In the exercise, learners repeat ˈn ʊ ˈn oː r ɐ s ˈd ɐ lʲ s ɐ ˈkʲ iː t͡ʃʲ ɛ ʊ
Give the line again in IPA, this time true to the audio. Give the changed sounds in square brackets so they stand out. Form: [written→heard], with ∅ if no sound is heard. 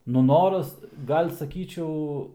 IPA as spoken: ˈn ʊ ˈn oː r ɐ s [ˈd→ˈɡ] ɐ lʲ s ɐ ˈkʲ iː t͡ʃʲ ɛ ʊ